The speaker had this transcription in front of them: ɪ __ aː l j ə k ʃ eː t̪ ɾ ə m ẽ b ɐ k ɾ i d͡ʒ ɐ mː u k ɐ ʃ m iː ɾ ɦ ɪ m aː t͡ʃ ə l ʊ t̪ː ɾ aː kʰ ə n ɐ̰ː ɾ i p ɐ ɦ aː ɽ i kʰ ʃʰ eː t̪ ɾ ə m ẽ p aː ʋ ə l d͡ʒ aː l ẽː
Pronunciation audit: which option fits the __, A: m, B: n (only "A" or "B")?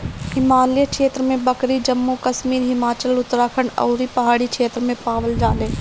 A